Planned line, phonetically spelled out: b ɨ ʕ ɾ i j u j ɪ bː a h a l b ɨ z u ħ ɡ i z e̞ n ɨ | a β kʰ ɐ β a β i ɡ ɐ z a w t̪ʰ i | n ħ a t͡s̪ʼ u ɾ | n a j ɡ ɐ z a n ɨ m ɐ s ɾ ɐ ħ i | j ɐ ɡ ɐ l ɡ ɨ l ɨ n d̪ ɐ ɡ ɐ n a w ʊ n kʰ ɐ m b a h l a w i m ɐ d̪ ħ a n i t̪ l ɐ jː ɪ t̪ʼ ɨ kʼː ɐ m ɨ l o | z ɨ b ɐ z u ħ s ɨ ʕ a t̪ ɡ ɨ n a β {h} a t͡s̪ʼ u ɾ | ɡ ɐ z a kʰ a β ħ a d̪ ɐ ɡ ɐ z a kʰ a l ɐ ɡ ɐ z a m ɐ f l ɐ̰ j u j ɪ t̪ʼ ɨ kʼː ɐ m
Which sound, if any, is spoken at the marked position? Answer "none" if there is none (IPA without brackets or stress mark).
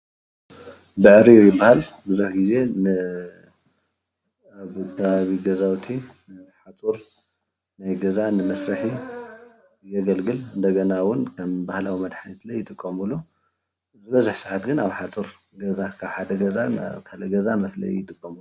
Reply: ħ